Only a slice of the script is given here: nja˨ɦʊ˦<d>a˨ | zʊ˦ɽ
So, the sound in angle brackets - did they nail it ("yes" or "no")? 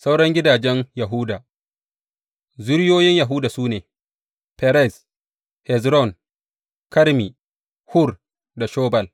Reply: yes